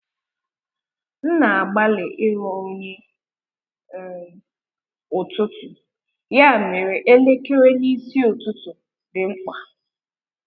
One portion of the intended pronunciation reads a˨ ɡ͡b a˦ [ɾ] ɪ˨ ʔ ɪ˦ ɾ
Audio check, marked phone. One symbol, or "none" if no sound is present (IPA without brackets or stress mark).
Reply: l